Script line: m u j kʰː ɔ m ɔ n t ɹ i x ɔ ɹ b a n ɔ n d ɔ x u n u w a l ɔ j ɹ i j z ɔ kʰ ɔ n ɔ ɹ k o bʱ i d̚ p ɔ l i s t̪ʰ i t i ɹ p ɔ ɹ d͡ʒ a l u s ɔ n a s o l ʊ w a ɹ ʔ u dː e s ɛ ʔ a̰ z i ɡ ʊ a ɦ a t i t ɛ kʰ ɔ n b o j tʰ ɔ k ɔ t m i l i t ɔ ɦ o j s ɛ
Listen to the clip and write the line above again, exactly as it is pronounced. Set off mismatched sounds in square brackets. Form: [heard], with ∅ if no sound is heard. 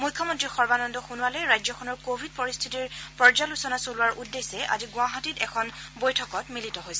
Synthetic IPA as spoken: m u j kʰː ɔ m ɔ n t ɹ i x ɔ ɹ b a n ɔ n d ɔ x u n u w a l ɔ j ɹ [a] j z ɔ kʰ ɔ n ɔ ɹ k o bʱ i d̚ p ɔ [ɹ] i s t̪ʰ i t i ɹ p ɔ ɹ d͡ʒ a l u s ɔ n a s o l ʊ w a ɹ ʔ u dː e s ɛ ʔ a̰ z i ɡ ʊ a ɦ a t i t ɛ kʰ ɔ n b o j tʰ ɔ k ɔ t m i l i t ɔ ɦ o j s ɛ